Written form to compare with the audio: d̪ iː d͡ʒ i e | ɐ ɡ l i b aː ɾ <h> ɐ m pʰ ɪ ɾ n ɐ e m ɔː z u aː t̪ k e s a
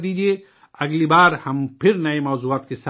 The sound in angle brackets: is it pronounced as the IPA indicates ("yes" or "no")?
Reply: yes